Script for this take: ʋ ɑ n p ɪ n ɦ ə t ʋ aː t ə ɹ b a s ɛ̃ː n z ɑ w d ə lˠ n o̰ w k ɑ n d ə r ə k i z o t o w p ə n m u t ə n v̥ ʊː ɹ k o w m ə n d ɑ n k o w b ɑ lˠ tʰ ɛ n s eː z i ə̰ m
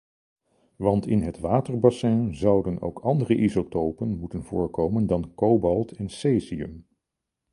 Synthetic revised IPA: ʋ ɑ n t ɪ n ɦ ə t ʋ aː t ə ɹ b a s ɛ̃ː n z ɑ w d ə n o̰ w k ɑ n d ə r ə ʔ i z o t o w p ə n m u t ə n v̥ ʊː ɹ k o w m ə n d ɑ n k o w b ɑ lˠ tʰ ɛ n s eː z i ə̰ m